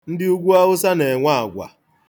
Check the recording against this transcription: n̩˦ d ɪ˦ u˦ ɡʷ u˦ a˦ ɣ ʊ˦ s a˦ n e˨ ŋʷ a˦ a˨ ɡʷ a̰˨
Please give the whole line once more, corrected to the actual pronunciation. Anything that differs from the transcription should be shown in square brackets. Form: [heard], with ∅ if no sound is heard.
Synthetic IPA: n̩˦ d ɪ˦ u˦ ɡʷ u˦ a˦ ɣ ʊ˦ s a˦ n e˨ ŋʷ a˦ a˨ ɡʷ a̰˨